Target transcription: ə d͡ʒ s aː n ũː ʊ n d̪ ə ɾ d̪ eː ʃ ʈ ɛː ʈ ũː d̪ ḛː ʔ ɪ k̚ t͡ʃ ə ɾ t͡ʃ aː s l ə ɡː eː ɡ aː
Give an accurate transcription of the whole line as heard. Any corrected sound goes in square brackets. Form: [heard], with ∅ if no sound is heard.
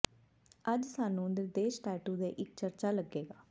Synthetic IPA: ə d͡ʒ s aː n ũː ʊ n d̪ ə ɾ d̪ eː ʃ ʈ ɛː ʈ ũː d̪ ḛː ʔ ɪ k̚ t͡ʃ ə ɾ t͡ʃ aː [∅] l ə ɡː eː ɡ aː